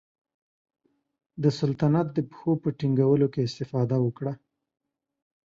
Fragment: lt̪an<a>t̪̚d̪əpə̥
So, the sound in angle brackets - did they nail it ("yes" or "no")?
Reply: yes